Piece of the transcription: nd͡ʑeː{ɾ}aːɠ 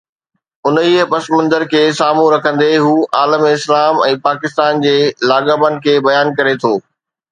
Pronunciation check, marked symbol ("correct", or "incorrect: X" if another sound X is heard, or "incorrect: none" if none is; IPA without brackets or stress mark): incorrect: l